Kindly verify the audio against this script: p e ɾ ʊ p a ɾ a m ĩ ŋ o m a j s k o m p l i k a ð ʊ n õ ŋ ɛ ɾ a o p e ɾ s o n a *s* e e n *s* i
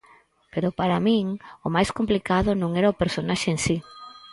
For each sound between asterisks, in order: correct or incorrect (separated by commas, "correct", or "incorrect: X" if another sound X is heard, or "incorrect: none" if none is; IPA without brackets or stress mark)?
incorrect: ʃ, correct